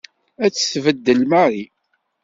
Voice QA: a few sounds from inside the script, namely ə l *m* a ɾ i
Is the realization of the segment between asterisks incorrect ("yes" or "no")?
no